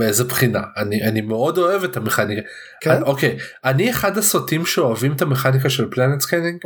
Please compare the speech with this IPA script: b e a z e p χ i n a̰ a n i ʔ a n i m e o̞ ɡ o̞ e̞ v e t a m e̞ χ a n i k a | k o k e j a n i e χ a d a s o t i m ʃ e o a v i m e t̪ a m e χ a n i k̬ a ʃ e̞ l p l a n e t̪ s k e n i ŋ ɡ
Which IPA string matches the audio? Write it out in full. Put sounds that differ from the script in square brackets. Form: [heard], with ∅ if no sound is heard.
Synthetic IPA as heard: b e [e] z e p χ i n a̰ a n i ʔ a n i m e o̞ [d] o̞ e̞ v e t a m e̞ χ a n i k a | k o k e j a n i e χ a d a s o t i m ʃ e o a v i m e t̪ a m e χ a n i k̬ a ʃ e̞ l p l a n e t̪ s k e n i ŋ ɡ